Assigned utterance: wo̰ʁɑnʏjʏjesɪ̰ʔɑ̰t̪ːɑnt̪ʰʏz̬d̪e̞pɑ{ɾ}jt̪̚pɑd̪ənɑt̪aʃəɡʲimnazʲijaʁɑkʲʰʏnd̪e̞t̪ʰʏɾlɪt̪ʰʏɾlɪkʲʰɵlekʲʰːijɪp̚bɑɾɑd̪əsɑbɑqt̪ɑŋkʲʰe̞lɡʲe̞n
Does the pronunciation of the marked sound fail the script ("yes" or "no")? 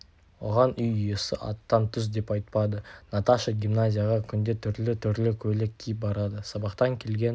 yes